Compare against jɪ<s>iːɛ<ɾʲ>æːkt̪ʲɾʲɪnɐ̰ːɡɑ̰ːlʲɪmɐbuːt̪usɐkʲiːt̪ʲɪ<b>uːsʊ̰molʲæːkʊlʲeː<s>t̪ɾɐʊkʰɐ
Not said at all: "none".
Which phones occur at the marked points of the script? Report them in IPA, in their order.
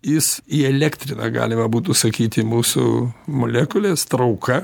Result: s, lʲ, m, s

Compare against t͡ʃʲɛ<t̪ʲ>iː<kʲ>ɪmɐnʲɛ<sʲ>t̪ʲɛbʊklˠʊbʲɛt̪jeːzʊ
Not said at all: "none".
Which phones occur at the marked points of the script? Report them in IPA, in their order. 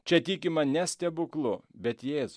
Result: t̪ʲ, kʲ, sʲ

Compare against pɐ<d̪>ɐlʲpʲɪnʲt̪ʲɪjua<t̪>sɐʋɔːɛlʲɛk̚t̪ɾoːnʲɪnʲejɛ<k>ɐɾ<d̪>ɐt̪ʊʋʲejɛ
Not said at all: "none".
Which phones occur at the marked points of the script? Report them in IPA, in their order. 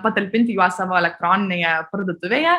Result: t̪, none, p, d̪

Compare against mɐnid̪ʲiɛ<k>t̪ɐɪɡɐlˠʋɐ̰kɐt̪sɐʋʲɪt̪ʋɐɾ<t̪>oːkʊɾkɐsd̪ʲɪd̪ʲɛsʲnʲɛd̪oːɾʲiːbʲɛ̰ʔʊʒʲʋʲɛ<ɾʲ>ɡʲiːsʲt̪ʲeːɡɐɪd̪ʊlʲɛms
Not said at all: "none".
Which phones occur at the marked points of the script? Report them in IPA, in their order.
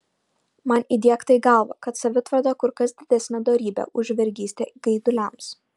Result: k, d̪, ɾʲ

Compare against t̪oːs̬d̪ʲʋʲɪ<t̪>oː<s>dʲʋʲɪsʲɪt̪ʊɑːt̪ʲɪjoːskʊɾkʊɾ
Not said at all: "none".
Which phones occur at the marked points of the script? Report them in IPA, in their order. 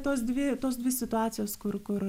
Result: t̪, s

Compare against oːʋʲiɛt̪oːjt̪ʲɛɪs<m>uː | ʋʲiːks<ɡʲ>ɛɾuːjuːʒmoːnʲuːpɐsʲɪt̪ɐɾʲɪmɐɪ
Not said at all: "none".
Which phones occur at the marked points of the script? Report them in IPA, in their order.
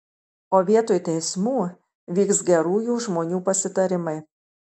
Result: m, ɡʲ

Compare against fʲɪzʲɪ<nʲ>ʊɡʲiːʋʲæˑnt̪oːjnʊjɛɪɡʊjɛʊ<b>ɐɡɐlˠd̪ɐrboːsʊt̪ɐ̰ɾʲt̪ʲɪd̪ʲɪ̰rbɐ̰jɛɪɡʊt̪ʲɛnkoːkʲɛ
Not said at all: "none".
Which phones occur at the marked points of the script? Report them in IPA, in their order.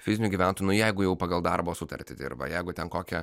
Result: nʲ, p

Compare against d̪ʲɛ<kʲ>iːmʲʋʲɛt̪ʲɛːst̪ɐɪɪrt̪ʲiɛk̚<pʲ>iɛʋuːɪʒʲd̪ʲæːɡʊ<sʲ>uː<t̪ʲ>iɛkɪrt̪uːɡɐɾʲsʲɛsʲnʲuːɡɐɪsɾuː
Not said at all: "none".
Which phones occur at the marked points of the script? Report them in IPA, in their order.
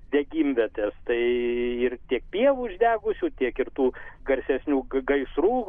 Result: ɡʲ, pʲ, sʲ, t̪ʲ

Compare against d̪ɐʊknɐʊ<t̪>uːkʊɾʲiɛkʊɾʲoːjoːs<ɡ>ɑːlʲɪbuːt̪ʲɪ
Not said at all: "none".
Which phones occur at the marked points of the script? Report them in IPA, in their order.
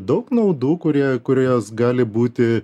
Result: d̪, ɡ

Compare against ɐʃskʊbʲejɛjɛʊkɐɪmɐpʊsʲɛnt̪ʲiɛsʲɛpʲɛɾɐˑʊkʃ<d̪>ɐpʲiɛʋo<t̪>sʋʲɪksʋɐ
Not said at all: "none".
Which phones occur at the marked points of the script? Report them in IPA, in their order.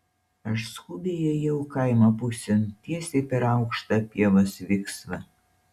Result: t̪, none

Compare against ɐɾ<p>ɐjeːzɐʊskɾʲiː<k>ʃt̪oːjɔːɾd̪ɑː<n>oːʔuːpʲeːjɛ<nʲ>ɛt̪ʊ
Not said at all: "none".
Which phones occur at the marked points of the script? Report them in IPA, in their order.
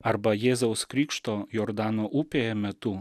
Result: b, k, n, mʲ

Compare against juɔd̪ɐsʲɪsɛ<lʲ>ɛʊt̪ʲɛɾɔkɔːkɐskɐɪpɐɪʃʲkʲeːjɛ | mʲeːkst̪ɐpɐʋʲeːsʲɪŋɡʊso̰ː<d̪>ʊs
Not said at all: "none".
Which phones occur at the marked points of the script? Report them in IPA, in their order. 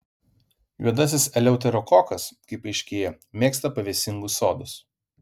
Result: lʲ, d̪

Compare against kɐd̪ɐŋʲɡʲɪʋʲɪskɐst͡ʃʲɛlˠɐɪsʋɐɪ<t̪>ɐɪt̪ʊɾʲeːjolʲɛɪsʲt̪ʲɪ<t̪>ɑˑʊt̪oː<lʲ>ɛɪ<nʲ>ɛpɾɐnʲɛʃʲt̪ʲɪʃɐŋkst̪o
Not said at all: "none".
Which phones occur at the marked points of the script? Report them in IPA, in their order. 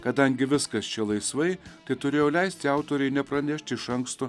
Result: t̪, none, ɾʲ, nʲ

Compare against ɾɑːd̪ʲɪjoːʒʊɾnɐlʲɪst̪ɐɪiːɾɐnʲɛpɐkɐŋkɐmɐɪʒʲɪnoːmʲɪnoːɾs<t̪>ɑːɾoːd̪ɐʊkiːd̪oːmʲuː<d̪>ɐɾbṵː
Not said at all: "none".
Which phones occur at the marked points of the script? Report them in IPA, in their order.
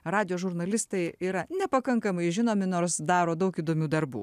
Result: d̪, d̪

